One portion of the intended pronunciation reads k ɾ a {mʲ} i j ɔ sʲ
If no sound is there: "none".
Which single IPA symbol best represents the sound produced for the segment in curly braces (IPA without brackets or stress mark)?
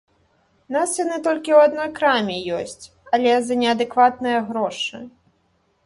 mʲ